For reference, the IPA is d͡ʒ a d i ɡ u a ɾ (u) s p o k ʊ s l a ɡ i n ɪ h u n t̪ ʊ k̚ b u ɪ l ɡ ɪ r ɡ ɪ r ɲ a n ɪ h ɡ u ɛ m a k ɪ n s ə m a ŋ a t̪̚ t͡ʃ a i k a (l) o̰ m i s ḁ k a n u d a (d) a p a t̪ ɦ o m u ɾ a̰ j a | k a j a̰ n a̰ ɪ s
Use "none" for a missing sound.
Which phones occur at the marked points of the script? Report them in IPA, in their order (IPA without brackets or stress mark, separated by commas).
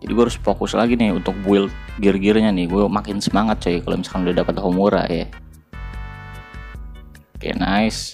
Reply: ʊ, l, d